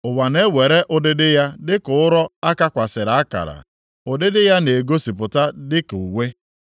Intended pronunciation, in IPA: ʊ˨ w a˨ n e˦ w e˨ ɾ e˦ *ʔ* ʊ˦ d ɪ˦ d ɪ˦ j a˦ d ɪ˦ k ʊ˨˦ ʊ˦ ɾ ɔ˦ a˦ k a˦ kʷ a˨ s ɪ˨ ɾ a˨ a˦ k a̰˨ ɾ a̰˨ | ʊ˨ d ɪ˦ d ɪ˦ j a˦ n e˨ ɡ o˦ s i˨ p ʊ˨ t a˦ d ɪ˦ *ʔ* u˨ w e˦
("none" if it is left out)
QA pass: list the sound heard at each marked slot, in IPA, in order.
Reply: ʔ, k

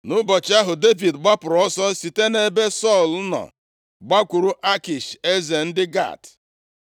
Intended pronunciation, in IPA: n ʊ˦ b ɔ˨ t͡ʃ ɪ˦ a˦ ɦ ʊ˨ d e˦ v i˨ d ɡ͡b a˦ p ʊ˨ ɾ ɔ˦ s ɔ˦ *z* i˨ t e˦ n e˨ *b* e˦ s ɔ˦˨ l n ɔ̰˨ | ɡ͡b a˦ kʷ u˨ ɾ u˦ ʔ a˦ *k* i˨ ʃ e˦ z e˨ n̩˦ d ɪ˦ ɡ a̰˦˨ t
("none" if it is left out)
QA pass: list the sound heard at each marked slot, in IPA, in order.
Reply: s, b, k

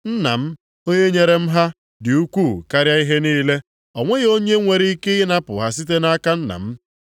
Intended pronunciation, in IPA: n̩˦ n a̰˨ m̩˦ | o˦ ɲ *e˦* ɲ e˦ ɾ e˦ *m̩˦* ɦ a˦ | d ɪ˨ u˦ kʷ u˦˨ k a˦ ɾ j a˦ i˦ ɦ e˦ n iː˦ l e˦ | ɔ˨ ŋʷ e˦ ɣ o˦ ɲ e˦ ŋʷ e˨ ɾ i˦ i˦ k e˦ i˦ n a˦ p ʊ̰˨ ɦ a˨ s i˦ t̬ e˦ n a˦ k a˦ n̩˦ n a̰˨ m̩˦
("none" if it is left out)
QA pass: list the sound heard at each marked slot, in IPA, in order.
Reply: e˦, m̩˦

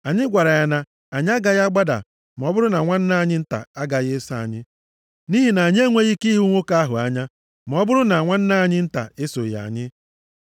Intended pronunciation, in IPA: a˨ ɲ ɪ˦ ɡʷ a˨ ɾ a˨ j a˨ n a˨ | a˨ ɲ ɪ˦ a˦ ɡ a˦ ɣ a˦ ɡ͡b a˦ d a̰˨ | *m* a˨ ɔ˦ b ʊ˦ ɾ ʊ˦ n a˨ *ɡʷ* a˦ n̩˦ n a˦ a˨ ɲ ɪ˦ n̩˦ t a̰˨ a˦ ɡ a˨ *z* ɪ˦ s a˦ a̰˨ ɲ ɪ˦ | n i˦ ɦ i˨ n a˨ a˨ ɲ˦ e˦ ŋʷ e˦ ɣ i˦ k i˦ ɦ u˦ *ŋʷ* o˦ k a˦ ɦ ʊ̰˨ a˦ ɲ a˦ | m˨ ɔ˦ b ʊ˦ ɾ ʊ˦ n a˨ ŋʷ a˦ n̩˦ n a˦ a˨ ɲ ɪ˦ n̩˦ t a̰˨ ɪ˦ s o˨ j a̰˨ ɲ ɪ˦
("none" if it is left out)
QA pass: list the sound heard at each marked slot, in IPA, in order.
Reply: m, ŋʷ, ɣ, ŋʷ

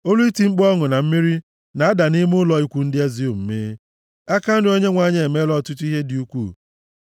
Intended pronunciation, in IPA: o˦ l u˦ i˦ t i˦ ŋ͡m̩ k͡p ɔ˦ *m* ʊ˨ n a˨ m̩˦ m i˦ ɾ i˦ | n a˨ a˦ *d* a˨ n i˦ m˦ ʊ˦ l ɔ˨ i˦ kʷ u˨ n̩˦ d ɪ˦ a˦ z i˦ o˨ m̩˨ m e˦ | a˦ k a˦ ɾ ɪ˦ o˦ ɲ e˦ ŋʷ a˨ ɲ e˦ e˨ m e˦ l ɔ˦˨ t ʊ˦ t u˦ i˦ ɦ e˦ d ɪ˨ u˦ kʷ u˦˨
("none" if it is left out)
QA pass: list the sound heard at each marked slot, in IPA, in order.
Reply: ŋ, d

